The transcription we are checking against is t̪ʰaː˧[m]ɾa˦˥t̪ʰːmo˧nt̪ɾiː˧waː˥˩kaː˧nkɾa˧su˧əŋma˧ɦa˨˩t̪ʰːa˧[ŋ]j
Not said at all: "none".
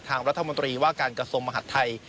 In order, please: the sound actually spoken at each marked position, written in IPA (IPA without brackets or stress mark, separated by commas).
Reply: ŋ, none